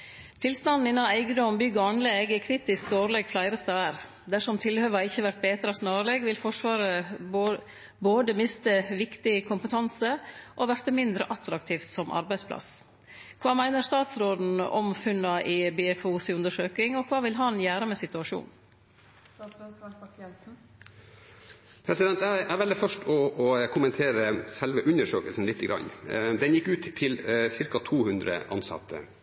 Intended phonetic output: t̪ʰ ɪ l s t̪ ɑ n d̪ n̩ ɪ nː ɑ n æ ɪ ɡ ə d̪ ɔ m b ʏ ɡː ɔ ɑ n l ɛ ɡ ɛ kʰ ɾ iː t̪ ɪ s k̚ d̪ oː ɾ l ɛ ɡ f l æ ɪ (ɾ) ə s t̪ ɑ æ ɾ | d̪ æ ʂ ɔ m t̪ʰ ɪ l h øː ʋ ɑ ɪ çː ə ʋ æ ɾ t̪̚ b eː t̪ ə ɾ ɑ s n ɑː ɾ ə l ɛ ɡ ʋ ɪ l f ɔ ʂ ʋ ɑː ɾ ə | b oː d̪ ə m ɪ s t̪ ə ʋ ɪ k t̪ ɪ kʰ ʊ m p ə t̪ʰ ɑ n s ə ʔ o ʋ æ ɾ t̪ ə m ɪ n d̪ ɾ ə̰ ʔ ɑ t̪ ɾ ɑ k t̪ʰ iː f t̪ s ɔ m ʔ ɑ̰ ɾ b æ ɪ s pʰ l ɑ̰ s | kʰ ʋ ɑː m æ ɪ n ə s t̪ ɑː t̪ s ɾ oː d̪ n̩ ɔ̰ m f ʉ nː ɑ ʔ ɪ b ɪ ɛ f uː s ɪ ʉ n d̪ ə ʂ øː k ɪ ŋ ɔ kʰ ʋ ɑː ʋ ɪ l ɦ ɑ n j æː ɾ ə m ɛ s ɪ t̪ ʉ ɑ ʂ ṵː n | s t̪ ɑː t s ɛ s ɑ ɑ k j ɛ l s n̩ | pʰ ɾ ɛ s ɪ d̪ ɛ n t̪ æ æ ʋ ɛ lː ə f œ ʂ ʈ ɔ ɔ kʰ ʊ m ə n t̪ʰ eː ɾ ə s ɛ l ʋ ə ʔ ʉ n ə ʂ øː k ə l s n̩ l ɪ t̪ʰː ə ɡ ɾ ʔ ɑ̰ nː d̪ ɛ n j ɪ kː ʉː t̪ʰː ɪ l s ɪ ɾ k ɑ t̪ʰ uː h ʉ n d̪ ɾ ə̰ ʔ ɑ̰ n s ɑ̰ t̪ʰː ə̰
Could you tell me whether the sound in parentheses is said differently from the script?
no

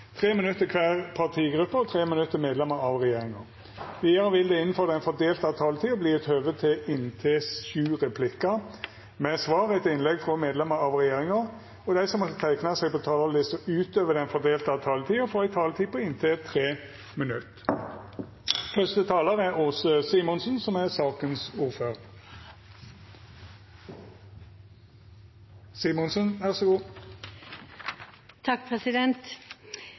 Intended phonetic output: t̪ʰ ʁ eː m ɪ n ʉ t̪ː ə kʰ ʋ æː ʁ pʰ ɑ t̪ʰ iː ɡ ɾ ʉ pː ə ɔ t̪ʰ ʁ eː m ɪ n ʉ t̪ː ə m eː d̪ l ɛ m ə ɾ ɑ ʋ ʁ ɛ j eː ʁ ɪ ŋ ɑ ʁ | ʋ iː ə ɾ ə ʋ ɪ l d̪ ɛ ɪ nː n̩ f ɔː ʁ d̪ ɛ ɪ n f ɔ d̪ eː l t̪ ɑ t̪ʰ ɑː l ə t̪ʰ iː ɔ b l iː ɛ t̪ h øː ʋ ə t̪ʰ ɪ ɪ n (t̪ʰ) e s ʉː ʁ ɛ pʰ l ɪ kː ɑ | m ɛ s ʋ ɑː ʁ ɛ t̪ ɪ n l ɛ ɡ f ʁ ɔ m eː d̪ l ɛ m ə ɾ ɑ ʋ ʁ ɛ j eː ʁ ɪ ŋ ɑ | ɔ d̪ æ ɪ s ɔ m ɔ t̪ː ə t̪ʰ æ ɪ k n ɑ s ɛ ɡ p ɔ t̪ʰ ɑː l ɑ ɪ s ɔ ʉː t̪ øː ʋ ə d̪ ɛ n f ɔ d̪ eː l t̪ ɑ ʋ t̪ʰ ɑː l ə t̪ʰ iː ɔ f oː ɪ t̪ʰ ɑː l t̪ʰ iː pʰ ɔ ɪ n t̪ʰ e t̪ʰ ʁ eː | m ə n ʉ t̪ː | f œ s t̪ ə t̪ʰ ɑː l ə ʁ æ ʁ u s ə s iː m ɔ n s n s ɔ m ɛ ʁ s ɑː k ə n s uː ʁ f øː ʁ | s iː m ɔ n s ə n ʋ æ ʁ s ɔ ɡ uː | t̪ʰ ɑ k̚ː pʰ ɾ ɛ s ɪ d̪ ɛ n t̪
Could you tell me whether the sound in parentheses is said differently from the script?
no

